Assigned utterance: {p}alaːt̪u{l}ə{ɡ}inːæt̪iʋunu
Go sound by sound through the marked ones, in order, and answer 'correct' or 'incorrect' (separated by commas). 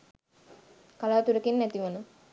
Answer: incorrect, incorrect, incorrect